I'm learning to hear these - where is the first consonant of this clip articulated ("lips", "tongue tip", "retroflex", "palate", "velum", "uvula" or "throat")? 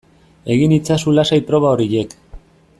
velum